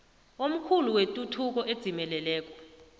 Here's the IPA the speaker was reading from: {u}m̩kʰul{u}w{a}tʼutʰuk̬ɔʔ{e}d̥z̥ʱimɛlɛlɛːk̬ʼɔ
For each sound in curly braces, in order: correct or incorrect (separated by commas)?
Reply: incorrect, correct, incorrect, correct